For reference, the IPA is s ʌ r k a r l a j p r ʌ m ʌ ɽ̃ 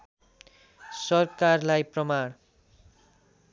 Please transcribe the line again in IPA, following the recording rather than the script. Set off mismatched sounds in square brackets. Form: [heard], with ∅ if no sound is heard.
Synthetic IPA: s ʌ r k a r l a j p r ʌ m [a] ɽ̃